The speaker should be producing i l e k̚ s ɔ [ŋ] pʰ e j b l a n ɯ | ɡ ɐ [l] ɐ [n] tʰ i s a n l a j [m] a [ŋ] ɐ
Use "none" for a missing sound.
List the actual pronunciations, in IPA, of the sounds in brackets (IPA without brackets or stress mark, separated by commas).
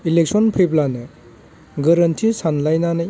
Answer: n, ɾ, n, n, n